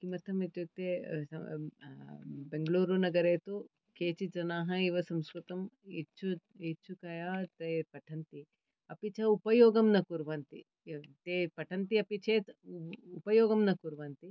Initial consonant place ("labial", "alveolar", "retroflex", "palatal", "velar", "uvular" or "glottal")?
velar